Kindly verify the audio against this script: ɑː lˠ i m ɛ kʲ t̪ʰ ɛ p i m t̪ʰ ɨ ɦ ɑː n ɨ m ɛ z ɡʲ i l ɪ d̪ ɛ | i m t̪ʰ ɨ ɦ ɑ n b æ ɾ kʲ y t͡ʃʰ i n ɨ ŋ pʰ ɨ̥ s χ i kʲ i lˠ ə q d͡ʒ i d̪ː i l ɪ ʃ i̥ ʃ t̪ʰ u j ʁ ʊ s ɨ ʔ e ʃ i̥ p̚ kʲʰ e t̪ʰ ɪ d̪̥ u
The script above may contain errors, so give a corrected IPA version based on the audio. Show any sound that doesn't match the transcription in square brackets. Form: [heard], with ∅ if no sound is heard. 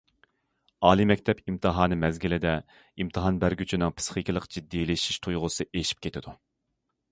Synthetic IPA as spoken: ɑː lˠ i m ɛ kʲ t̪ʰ ɛ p i m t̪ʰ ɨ ɦ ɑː n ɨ m ɛ z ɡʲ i l ɪ d̪ ɛ | i m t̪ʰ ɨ ɦ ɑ n b æ ɾ [ɡʲ] y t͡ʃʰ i n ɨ ŋ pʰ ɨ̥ s χ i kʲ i lˠ ə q d͡ʒ i d̪ː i l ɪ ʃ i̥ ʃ t̪ʰ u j ʁ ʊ s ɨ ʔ e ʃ i̥ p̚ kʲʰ e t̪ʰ ɪ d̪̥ u